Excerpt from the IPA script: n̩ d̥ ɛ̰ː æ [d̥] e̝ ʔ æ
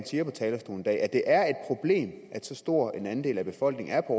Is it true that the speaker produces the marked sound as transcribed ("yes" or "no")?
yes